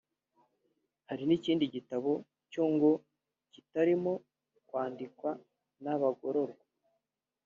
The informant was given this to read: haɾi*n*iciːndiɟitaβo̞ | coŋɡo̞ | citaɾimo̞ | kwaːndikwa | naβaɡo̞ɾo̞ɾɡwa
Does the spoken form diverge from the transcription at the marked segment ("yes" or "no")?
no